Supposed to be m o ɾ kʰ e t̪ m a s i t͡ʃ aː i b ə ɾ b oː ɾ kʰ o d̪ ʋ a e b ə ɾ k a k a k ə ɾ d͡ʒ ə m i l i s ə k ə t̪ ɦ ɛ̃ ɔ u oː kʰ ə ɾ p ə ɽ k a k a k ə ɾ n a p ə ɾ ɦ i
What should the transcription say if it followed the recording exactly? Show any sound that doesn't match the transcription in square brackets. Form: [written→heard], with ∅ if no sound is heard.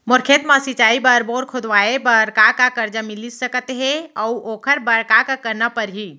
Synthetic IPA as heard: m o ɾ kʰ e t̪ m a s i t͡ʃ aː i b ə ɾ b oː ɾ kʰ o d̪ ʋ a e b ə ɾ k a k a k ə ɾ d͡ʒ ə m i l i s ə k ə t̪ ɦ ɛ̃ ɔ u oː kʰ ə ɾ [p→b] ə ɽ k a k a k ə ɾ n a p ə ɾ ɦ i